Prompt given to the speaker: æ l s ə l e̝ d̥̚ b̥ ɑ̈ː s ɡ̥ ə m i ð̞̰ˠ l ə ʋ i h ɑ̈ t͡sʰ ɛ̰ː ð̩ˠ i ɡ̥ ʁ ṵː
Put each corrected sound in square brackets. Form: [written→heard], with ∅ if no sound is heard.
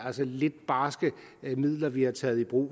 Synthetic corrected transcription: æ l s ə l e̝ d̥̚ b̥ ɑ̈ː s ɡ̥ ə m i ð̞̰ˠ l [ə→ɐ] ʋ i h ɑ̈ t͡sʰ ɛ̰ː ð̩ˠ i [ɡ̥→b̥] ʁ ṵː